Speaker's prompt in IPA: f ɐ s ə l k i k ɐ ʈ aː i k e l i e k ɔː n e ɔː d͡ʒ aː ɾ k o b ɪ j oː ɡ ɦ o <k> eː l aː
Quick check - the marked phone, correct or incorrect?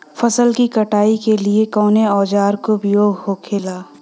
incorrect